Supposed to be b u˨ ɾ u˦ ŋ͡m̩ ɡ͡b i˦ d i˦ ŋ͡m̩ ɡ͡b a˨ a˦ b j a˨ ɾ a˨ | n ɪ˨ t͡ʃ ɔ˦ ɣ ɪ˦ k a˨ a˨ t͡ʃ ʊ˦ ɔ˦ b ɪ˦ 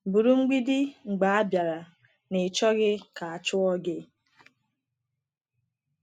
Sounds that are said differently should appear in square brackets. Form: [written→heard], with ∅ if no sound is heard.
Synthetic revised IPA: b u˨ ɾ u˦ ŋ͡m̩ ɡ͡b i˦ d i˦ ŋ͡m̩ ɡ͡b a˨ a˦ b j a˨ ɾ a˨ | n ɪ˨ t͡ʃ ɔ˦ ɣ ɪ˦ k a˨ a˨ t͡ʃ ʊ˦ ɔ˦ [b→ɡ] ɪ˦